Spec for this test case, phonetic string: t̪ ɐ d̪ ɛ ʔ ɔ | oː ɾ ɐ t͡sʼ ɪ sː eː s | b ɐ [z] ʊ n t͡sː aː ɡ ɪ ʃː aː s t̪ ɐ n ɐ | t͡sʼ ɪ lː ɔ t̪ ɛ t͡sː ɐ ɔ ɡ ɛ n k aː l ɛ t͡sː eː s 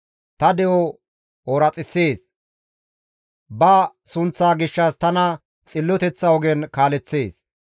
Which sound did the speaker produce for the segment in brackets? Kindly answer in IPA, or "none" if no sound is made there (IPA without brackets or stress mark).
s